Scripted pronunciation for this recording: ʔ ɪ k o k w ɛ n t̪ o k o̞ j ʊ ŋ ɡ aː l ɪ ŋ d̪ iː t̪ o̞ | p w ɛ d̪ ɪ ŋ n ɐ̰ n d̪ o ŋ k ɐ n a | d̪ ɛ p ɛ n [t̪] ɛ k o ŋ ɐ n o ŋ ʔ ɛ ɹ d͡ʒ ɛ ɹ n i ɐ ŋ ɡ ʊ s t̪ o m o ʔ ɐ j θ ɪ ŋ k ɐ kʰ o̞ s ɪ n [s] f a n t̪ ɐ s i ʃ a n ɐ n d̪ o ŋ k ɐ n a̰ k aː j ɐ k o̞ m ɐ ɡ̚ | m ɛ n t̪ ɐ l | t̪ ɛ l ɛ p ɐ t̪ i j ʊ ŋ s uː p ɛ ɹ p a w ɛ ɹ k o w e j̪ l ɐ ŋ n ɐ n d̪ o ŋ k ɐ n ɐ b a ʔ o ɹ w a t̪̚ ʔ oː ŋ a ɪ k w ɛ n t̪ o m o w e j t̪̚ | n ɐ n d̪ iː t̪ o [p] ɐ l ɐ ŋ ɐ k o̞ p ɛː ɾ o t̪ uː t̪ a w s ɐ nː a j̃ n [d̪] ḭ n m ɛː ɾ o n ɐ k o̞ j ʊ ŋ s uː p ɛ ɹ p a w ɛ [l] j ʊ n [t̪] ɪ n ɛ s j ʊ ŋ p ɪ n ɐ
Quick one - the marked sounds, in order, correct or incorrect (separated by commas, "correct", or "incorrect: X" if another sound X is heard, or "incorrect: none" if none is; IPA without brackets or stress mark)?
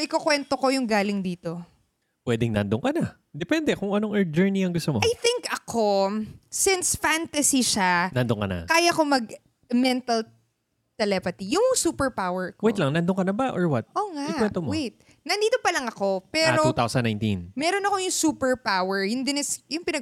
incorrect: d̪, correct, correct, incorrect: t̪, incorrect: ɹ, incorrect: d̪